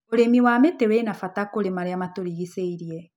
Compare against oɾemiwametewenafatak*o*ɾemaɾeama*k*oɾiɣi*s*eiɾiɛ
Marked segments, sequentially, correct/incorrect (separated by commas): correct, incorrect, correct